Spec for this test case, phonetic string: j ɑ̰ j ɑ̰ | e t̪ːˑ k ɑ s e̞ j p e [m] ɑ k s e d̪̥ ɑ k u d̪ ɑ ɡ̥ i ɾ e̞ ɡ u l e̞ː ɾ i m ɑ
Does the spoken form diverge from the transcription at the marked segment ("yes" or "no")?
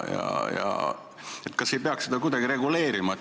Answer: yes